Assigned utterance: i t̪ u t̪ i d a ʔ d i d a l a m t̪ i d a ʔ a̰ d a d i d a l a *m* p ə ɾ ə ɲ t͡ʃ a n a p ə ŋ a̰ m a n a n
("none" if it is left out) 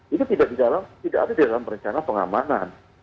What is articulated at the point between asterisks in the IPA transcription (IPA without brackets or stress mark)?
m